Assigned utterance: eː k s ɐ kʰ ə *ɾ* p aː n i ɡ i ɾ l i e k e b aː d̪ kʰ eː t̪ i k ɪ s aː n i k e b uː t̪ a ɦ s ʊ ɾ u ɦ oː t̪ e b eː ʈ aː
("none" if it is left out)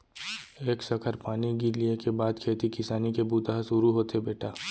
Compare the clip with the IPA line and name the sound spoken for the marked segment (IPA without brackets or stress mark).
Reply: ɾ